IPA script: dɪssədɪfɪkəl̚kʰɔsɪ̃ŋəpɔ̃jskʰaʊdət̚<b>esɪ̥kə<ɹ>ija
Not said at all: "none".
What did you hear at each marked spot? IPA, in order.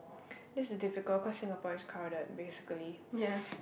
b, l

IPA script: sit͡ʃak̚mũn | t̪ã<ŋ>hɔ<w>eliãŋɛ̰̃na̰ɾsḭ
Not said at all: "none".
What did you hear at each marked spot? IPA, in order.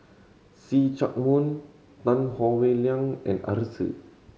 n, w

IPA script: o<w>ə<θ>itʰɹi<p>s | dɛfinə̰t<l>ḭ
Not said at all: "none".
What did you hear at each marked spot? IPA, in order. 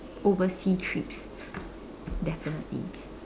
v, s, p, l

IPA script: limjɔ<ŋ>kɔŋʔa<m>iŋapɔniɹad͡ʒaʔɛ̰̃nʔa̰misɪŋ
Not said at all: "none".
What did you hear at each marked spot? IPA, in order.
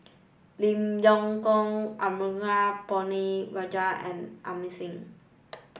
ŋ, m

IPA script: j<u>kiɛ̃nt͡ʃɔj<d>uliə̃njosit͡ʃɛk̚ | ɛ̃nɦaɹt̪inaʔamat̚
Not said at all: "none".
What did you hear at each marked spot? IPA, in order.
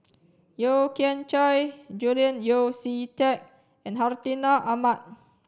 o, d͡ʒ

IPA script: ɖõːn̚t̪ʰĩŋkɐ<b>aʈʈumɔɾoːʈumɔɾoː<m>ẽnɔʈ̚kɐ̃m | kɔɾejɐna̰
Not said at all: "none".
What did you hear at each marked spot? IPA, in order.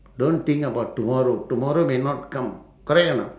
b, m

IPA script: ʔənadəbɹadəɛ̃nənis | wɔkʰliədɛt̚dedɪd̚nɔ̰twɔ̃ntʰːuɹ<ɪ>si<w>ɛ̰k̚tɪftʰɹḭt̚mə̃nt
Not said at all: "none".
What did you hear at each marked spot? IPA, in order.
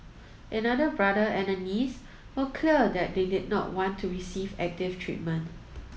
i, v

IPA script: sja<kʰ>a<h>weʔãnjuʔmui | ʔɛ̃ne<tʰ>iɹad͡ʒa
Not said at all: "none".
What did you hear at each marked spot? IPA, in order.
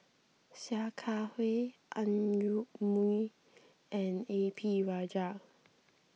kʰ, h, pʰ

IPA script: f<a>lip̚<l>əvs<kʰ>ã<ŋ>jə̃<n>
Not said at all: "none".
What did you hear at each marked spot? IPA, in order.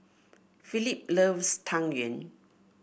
i, l, tʰ, ŋ, n

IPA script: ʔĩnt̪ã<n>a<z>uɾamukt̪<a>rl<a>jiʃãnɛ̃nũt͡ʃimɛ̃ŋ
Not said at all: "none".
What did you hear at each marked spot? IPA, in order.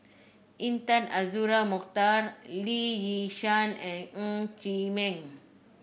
n, z, a, i

